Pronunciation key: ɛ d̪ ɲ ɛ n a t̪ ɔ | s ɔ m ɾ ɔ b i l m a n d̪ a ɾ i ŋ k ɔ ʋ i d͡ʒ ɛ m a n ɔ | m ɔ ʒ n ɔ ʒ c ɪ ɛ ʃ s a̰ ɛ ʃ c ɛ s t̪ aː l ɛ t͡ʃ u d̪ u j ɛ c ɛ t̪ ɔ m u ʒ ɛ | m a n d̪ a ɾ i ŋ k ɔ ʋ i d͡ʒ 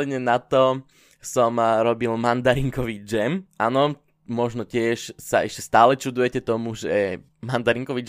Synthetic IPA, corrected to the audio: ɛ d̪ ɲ ɛ n a t̪ ɔ | s ɔ m ɾ ɔ b i l m a n d̪ a ɾ i ŋ k ɔ ʋ i d͡ʒ ɛ m a n ɔ | m ɔ ʒ n ɔ c ɪ ɛ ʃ s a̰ ɛ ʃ c ɛ s t̪ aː l ɛ t͡ʃ u d̪ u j ɛ c ɛ t̪ ɔ m u ʒ ɛ | m a n d̪ a ɾ i ŋ k ɔ ʋ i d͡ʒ